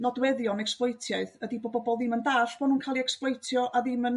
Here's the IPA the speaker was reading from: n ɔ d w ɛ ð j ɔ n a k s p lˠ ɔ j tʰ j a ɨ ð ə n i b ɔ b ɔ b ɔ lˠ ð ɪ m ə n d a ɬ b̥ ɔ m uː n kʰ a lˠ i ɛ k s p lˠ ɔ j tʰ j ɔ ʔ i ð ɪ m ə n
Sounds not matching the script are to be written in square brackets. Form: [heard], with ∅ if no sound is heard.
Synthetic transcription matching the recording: n ɔ d w ɛ ð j ɔ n [ɛ] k s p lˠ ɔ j tʰ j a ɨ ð ə [d] i b ɔ b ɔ b ɔ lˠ ð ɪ m ə n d a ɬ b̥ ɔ [n] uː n kʰ a lˠ i ɛ k s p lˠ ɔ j tʰ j ɔ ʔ [a] ð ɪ m ə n